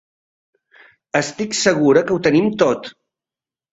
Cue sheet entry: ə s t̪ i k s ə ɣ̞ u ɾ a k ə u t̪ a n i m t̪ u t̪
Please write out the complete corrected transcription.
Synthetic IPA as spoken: ə s t̪ i k s ə ɣ̞ u ɾ ə k ə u t̪ ə n i m t̪ o t̪